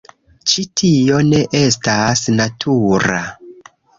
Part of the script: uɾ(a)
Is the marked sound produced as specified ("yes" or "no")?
yes